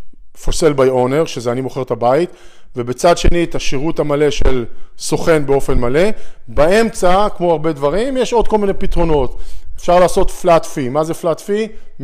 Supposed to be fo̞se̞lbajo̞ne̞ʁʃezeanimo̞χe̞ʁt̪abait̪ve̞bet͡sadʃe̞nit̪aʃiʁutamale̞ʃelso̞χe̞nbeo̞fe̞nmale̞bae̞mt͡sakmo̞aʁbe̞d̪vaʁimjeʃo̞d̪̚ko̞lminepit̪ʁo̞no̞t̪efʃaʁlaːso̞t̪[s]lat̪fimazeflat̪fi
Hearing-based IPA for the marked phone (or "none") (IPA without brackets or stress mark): f